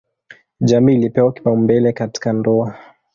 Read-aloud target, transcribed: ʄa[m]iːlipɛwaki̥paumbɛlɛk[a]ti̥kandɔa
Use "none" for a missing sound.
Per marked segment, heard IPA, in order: m, a

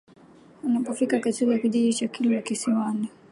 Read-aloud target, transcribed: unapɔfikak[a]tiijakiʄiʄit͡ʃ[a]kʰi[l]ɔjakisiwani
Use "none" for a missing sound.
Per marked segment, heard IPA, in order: a, a, l

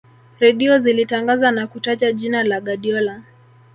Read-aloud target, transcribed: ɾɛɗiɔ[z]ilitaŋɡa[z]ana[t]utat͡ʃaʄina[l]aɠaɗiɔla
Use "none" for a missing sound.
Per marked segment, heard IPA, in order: z, z, k, l

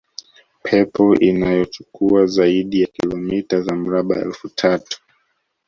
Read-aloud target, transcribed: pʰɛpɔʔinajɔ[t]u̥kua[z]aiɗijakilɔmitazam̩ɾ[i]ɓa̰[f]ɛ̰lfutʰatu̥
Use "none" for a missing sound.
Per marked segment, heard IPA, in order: t͡ʃ, z, a, none

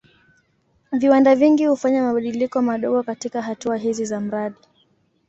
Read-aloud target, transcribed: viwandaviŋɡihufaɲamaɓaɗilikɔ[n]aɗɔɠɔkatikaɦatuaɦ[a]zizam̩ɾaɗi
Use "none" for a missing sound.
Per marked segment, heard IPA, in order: m, i

